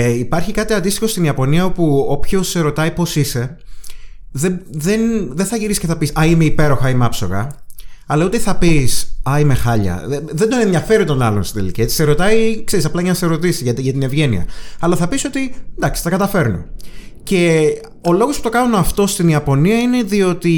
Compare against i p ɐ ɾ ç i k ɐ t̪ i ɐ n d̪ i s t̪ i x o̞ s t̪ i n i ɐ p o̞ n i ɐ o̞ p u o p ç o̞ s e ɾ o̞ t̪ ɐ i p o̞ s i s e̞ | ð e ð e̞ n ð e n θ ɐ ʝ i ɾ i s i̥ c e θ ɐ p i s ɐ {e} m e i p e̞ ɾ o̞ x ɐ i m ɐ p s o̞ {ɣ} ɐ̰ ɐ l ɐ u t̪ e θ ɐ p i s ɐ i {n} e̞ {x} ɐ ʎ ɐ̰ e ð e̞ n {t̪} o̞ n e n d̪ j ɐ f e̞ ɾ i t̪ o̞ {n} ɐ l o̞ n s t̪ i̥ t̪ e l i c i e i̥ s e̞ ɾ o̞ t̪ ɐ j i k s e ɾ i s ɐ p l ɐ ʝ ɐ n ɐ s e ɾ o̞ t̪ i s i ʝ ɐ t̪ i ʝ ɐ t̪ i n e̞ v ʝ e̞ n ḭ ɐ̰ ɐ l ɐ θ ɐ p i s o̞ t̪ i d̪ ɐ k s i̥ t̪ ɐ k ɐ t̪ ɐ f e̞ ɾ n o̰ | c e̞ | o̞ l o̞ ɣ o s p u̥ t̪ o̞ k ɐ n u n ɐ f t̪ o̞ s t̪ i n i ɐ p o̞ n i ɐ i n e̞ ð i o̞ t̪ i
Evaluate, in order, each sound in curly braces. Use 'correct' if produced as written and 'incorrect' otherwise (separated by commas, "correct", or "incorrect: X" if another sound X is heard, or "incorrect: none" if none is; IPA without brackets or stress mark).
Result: incorrect: i, correct, incorrect: m, correct, incorrect: d̪, correct